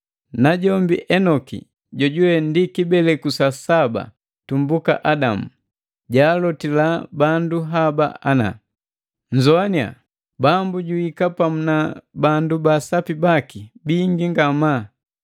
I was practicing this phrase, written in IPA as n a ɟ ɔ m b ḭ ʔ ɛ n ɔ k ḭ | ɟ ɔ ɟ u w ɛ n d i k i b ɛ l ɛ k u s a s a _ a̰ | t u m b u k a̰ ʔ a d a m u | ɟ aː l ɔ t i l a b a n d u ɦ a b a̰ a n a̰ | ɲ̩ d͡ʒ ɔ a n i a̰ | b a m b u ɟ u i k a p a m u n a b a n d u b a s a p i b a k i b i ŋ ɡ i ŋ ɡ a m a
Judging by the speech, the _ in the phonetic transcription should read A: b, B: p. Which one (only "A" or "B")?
A